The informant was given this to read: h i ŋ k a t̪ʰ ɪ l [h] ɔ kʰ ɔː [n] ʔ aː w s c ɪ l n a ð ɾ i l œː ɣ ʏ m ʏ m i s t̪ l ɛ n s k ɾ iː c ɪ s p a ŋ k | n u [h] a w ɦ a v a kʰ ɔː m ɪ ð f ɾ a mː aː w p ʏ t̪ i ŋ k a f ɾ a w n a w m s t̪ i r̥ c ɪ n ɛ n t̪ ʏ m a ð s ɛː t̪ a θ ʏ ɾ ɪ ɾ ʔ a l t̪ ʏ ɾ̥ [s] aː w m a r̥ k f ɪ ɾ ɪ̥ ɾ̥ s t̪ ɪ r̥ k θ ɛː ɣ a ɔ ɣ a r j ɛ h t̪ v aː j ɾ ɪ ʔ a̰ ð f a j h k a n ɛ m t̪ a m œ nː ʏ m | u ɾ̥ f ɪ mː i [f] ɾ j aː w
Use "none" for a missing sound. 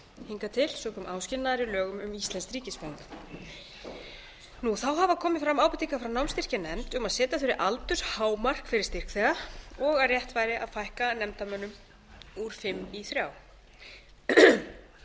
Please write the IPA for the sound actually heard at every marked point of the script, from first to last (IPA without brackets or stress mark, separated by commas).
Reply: s, m, θ, h, θ